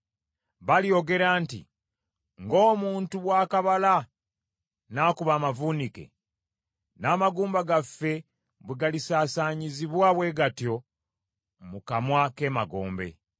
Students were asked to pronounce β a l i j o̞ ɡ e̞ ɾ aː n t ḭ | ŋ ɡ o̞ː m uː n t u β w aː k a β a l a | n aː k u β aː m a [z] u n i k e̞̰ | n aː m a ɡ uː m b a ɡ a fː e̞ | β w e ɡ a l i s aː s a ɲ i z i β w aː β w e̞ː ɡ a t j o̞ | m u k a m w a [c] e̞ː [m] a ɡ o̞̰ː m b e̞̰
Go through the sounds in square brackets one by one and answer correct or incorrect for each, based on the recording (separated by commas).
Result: incorrect, incorrect, correct